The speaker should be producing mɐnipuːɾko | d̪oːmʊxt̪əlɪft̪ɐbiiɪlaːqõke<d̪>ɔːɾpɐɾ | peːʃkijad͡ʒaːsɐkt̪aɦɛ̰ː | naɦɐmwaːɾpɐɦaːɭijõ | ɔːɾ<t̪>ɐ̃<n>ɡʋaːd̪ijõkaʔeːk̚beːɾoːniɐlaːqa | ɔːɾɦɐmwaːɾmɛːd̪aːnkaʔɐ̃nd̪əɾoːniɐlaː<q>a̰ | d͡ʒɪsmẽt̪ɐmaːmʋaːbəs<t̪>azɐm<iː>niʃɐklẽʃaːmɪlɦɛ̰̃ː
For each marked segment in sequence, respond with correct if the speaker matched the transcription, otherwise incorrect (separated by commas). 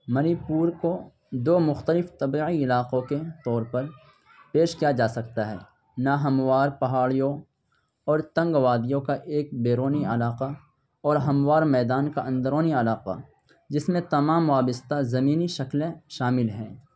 incorrect, correct, incorrect, correct, correct, correct